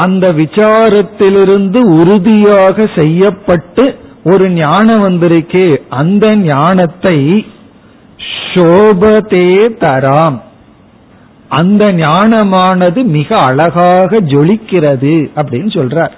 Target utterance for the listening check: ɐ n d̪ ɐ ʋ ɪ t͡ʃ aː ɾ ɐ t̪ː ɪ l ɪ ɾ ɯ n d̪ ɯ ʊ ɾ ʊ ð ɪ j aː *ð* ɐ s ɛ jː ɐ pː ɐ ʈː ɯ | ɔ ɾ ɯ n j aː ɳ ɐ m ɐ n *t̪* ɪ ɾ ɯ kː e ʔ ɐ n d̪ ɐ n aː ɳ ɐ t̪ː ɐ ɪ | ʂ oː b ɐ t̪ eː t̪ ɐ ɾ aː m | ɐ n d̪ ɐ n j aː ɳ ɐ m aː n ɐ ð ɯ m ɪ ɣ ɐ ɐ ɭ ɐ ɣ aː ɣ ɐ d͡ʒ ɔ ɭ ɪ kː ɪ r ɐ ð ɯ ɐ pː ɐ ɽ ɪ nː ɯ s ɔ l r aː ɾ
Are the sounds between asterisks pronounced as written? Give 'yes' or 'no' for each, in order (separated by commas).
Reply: no, no